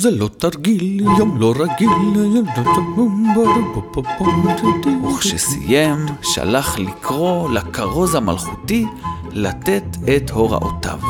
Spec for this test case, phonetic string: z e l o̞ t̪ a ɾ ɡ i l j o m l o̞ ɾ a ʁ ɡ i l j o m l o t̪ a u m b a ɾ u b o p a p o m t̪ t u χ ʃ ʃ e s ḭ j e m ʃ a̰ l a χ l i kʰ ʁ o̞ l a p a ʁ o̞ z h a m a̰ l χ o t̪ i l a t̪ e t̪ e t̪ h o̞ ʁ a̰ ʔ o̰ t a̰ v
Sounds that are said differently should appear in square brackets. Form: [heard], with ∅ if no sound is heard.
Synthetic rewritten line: z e l o̞ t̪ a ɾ ɡ i l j o m l o̞ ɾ a [∅] ɡ i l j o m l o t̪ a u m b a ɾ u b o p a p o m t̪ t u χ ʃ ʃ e s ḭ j e m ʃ a̰ l a χ l i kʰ ʁ o̞ l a [k] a ʁ o̞ z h a m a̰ l χ [u] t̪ i l a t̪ e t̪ e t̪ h o̞ ʁ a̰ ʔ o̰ t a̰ v